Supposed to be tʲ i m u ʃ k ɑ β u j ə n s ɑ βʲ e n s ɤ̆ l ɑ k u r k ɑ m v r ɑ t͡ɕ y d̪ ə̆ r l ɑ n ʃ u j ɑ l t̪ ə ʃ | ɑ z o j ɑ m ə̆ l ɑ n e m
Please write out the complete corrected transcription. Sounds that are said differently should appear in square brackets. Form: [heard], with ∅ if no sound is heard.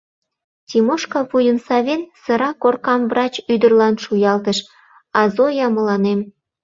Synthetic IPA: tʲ i m [o] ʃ k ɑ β u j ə n s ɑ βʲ e n s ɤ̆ [ɾ] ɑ k [o] r k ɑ m v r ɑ t͡ɕ y d̪ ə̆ r l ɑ n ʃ u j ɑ l t̪ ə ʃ | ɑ z o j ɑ m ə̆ l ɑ n e m